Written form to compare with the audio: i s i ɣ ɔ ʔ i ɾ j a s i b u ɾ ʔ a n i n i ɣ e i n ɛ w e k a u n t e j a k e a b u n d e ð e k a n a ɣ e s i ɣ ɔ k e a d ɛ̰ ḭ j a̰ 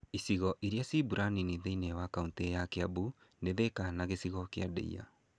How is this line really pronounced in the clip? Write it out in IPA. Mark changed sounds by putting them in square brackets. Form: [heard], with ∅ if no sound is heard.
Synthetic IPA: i s i ɣ ɔ ʔ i ɾ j a s i b u ɾ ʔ a n i n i [ð] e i n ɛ w [a] k a u n t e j a k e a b u n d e ð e k a n a ɣ e s i ɣ ɔ k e a d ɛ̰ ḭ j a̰

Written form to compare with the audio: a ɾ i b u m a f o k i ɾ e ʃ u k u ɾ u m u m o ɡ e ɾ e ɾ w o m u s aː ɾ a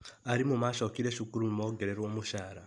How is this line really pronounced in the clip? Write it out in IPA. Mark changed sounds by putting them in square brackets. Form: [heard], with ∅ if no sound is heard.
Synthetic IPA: a ɾ i [m] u m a [ʃ] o k i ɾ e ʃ u k u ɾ u m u m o ɡ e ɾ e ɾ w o m u [ʃ] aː ɾ a

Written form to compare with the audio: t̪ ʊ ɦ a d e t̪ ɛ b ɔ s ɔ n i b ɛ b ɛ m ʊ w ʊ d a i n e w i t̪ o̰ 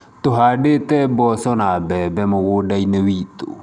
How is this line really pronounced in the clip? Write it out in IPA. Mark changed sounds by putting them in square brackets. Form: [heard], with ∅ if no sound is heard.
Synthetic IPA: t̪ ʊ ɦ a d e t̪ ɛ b ɔ s ɔ n [a] b ɛ b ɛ m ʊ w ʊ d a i n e w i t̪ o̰

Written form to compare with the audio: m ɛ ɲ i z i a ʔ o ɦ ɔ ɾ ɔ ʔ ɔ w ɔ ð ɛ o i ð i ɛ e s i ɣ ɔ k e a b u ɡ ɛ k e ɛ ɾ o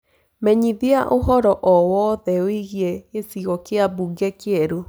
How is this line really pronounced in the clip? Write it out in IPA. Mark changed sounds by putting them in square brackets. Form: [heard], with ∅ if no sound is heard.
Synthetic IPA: m ɛ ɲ i [ð] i a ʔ o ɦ ɔ ɾ ɔ ʔ ɔ w ɔ ð ɛ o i [ɣ] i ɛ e s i ɣ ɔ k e a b u ɡ ɛ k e ɛ ɾ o

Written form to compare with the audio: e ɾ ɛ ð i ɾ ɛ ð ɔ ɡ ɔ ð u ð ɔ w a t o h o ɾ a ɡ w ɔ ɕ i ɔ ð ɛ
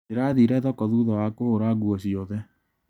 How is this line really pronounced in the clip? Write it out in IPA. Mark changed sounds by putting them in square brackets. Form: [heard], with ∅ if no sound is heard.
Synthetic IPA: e ɾ [a] ð i ɾ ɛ ð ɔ [k] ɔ ð u ð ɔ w a [k] o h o ɾ a ɡ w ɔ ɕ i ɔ ð ɛ

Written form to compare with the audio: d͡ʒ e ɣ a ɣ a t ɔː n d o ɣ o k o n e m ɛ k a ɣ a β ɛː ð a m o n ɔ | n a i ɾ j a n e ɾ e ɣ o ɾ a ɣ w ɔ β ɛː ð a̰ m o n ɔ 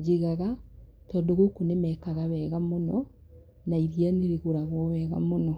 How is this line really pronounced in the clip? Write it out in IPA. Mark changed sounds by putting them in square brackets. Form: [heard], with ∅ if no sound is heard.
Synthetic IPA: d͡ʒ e ɣ a ɣ a t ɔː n d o ɣ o k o n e m ɛ k a ɣ a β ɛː [ɣ] a m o n ɔ | n a i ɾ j a n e ɾ e ɣ o ɾ a ɣ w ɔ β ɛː [ɣ] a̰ m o n ɔ

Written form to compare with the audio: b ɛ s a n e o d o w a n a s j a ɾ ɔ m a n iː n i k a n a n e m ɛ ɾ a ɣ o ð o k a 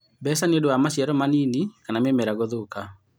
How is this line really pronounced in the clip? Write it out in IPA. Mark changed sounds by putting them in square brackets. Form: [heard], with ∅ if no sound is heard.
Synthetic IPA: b ɛ s a n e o d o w a [m] a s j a ɾ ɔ m a n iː n i k a n a [m] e m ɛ ɾ a ɣ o ð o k a

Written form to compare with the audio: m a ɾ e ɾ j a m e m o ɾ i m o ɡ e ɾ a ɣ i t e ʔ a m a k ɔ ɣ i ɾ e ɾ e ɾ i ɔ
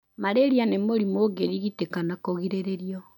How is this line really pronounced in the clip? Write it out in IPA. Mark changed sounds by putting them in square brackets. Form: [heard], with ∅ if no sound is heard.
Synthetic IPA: m a ɾ e ɾ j a [n] e m o ɾ i m o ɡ e ɾ [i] ɣ i t e [k] a [n] a k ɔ ɣ i ɾ e ɾ e ɾ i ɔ

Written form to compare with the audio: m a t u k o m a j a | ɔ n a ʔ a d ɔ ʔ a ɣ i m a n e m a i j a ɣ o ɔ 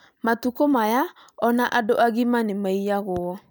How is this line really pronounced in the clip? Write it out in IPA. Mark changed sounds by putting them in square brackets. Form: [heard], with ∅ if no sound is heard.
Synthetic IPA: m a t u k o m a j a | ɔ n a ʔ a d [o] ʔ a ɣ i m a n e m a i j a ɣ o ɔ

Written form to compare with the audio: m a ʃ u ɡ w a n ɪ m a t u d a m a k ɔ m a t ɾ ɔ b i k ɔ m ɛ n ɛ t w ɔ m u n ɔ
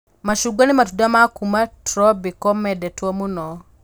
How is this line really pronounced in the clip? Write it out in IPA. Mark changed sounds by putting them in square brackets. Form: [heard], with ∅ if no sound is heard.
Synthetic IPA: m a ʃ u ɡ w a n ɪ m a t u d a m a k [u] m a t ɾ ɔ b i k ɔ m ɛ [d] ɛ t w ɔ m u n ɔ

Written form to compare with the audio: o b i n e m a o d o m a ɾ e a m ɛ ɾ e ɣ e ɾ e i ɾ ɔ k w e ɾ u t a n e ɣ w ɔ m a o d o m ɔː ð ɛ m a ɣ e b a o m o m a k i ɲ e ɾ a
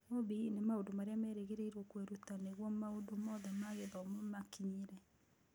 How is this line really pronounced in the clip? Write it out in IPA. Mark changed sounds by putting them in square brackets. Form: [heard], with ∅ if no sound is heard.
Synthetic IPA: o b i n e m a o d o m a ɾ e a m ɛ ɾ e ɣ e ɾ e i ɾ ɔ k w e ɾ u t a n e ɣ w ɔ m a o d o m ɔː ð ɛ m a ɣ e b a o m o m a k i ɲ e ɾ [ɛ]

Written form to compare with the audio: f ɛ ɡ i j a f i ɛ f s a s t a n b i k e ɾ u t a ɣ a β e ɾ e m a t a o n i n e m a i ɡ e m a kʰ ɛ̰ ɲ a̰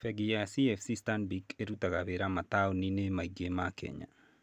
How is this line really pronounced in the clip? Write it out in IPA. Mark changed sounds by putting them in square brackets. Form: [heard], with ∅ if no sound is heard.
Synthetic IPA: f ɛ ɡ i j a [s] i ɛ f s [i] s t a n b i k e ɾ u t a ɣ a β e ɾ [a] m a t a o n i n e m a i ɡ e m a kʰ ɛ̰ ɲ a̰

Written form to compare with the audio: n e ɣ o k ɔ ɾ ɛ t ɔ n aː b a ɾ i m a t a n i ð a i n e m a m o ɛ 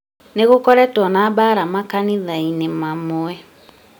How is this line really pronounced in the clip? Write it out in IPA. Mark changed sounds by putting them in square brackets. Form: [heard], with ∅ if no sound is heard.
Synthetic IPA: n e ɣ o k ɔ ɾ ɛ t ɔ n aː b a ɾ [a] m a [k] a n i ð a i n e m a m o ɛ

